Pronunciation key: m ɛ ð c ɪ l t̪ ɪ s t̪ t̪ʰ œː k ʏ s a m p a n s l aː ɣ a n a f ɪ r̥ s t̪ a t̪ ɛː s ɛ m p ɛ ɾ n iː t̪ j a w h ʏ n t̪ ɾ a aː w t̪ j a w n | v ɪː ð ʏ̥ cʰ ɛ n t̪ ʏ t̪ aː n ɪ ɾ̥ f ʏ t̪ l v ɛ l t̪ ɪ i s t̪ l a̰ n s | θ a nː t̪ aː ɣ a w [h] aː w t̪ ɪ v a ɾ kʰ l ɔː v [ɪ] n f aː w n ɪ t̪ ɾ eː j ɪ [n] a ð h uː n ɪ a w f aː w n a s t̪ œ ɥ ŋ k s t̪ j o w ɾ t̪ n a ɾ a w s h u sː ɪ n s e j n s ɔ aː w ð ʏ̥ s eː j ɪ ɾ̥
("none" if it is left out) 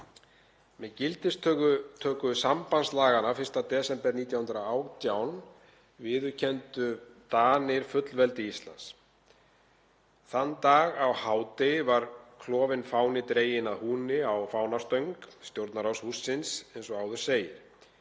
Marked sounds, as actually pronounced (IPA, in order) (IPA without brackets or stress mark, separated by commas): h, ɪ, n